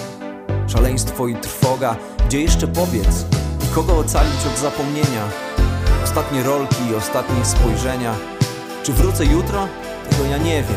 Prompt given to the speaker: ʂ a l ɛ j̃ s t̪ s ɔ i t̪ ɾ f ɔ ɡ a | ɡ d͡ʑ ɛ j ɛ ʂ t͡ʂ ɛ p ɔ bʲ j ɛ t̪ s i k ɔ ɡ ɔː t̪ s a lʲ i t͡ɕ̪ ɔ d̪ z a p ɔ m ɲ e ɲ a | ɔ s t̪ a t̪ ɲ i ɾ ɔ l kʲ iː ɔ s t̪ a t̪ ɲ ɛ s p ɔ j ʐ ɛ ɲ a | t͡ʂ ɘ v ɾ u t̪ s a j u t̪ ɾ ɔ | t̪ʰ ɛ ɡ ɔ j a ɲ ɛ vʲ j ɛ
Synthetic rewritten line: ʂ a l ɛ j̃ s t̪ f ɔ i t̪ ɾ f ɔ ɡ a | ɡ d͡ʑ ɛ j ɛ ʂ t͡ʂ ɛ p ɔ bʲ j ɛ t̪ s i k ɔ ɡ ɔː t̪ s a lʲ i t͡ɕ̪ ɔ d̪ z a p ɔ m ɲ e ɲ a | ɔ s t̪ a t̪ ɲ ɛ ɾ ɔ l kʲ iː ɔ s t̪ a t̪ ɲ ɛ s p ɔ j ʐ ɛ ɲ a | t͡ʂ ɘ v ɾ u t̪ s ɛ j u t̪ ɾ ɔ | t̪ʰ ɛ ɡ ɔ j a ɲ ɛ vʲ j ɛ